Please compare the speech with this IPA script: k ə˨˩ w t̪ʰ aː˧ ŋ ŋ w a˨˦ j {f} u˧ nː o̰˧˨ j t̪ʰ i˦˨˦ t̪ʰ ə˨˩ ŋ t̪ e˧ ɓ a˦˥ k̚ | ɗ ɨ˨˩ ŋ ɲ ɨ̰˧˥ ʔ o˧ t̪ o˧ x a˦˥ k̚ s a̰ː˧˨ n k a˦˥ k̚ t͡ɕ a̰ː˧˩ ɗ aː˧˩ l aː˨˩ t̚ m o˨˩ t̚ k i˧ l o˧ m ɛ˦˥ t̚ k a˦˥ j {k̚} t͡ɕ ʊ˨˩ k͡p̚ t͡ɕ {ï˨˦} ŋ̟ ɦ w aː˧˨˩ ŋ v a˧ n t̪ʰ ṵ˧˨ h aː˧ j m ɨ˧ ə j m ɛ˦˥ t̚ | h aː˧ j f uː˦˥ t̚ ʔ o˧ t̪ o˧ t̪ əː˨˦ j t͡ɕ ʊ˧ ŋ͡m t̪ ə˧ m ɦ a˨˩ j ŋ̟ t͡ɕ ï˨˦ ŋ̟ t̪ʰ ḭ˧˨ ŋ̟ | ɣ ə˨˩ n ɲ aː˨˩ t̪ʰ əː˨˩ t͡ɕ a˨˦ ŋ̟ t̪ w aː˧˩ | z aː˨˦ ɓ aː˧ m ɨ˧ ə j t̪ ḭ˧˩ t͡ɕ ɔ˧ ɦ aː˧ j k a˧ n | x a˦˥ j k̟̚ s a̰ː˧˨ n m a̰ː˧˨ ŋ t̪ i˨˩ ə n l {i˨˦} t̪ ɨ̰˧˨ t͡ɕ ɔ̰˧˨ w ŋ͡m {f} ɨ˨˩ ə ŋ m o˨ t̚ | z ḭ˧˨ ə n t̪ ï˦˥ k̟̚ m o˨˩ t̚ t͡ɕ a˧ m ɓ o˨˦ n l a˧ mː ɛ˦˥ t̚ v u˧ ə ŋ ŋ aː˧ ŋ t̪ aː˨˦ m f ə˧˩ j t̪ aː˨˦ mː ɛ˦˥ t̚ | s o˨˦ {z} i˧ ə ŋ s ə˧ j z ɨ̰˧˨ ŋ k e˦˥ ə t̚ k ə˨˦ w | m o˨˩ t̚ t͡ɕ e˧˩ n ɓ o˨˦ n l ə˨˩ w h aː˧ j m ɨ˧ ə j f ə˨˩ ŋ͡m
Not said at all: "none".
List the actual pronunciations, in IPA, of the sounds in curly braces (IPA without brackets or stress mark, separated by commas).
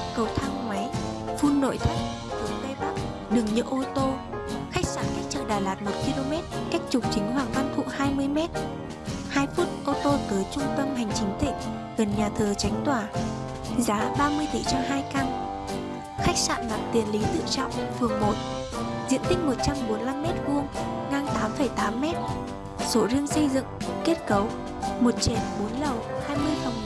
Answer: f, k̚, ï˨˦, i˨˦, f, z